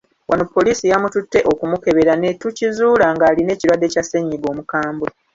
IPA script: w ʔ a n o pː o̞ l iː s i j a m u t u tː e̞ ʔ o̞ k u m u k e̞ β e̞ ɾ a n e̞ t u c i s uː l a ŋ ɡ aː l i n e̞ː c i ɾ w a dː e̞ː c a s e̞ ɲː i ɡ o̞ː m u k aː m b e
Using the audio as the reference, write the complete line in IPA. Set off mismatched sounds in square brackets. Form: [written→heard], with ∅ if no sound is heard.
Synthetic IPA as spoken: w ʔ a n o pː o̞ l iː s i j a m u t u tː e̞ ʔ o̞ k u m u k e̞ β e̞ ɾ a n e̞ t u c i [s→z] uː l a ŋ ɡ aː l i n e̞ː c i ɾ w a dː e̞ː c a s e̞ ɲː i ɡ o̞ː m u k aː m b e